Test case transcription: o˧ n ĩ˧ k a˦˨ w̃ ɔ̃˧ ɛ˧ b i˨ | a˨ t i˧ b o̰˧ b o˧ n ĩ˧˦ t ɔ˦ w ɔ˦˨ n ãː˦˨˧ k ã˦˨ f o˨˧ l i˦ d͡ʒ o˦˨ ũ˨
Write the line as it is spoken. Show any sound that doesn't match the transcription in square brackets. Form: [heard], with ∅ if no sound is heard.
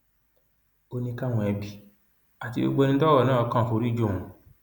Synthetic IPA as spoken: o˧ n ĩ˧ k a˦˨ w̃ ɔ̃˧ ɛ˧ b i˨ | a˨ t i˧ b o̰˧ [ɡ͡b] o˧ n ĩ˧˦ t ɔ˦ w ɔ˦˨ n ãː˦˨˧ k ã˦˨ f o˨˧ [ɾ] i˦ d͡ʒ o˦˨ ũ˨